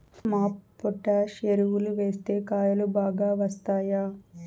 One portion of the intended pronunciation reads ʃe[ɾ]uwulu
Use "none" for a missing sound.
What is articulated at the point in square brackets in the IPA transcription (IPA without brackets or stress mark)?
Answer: ɾ